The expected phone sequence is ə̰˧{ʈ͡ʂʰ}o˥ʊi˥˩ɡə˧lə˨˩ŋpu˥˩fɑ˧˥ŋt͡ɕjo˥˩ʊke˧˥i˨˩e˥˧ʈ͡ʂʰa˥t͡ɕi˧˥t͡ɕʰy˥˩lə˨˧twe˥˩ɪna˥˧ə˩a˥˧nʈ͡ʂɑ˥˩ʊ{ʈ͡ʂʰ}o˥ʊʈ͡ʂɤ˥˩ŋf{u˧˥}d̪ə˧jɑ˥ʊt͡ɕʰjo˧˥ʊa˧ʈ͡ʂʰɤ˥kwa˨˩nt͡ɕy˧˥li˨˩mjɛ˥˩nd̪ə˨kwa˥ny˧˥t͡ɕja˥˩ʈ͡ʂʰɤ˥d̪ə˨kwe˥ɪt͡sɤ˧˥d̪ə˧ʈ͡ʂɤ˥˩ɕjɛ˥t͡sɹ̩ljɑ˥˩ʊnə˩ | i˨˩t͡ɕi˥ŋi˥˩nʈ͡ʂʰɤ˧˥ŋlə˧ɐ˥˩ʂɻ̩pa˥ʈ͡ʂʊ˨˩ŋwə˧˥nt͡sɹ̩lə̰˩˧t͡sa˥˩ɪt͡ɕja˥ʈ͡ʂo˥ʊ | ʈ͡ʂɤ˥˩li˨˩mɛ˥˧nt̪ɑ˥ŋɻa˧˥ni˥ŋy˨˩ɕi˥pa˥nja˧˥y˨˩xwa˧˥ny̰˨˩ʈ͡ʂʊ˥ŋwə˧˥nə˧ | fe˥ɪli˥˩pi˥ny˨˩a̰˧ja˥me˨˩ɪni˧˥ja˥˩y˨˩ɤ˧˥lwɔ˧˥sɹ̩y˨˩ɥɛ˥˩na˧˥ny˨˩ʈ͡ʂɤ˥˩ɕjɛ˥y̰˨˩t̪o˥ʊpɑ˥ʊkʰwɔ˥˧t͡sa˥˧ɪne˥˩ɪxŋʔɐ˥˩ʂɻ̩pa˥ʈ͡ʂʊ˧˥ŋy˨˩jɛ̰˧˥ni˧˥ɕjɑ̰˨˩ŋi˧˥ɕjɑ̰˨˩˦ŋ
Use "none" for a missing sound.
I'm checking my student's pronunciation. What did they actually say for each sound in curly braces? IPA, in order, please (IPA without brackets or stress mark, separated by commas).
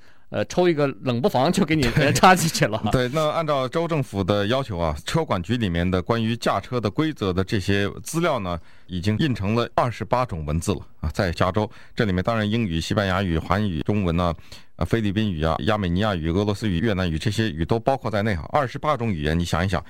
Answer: ʈ͡ʂʰ, ʈ͡ʂ, u˨˩